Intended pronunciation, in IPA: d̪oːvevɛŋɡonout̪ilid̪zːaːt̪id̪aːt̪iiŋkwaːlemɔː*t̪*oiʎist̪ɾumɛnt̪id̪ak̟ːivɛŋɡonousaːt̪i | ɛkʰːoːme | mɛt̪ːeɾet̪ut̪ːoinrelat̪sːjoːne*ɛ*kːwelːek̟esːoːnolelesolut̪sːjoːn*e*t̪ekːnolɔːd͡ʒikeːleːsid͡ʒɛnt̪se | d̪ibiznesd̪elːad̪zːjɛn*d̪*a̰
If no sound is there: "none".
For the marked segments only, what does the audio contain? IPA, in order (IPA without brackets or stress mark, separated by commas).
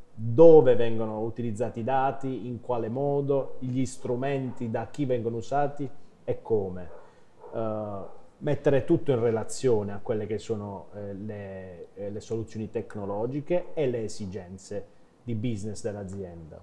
d̪, a, i, d̪